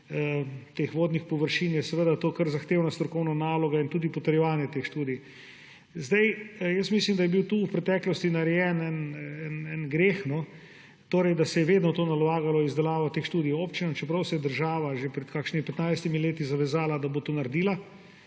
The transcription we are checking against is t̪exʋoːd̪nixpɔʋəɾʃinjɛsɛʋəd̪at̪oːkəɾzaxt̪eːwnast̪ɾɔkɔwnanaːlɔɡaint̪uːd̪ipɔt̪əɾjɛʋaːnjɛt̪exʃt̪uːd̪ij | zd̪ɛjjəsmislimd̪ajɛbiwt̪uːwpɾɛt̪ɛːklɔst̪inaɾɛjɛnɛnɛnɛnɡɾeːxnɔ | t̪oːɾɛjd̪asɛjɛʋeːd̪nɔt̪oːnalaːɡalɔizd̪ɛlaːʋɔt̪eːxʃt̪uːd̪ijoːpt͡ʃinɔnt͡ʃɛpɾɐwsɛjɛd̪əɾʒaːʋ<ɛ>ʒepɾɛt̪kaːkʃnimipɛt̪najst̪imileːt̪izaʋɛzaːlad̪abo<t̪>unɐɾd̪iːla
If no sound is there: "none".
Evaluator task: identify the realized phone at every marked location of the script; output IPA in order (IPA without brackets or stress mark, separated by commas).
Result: a, t̪